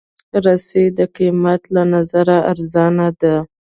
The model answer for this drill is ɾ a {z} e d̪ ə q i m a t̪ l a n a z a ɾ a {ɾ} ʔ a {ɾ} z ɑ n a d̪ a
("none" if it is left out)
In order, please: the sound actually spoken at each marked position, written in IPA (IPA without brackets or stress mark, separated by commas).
s, none, ɾ